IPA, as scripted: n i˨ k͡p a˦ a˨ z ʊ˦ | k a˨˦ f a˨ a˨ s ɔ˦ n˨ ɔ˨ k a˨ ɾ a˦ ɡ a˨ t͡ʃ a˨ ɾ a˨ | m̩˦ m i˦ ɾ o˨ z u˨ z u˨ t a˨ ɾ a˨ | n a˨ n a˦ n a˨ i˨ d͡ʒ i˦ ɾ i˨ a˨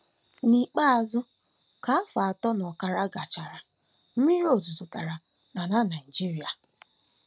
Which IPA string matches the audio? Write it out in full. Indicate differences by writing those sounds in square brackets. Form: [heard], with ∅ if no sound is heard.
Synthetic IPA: n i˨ k͡p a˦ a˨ z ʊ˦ | k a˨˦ f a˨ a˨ [t] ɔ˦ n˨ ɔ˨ k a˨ ɾ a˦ ɡ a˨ t͡ʃ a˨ ɾ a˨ | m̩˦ m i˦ ɾ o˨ z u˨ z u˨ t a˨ ɾ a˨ | n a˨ n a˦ n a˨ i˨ d͡ʒ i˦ ɾ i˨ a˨